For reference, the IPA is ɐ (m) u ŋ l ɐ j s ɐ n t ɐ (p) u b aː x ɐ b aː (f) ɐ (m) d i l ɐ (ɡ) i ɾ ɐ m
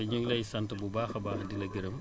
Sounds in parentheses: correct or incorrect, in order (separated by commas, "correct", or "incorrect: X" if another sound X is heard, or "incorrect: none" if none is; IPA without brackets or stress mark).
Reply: incorrect: ɲ, incorrect: b, incorrect: x, incorrect: none, correct